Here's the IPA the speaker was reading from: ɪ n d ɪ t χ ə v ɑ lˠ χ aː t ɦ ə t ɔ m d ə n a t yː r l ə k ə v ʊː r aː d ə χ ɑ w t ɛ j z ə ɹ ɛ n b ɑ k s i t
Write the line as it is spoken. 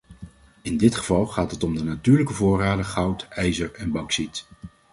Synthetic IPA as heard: ɪ n d ɪ t χ ə v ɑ lˠ χ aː t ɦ ə t ɔ m d ə n a t yː ɹ l ə k ə v ʊː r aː d ə χ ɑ w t ɛ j z ə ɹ ɛ n b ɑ k s i t